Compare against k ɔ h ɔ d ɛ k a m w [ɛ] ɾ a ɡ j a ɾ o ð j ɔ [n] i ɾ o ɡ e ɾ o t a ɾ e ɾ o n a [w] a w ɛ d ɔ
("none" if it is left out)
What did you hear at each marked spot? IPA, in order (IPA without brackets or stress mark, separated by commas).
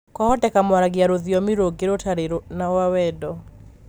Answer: a, m, w